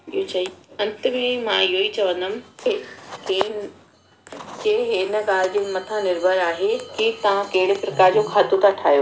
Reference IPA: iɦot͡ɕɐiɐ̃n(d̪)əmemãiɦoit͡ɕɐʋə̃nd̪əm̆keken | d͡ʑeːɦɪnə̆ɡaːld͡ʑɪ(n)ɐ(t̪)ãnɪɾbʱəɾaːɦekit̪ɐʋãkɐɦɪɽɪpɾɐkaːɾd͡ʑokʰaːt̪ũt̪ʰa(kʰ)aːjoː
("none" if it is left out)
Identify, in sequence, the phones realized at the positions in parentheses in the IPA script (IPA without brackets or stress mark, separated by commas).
t̪, m, t̪ʰ, ʈʰ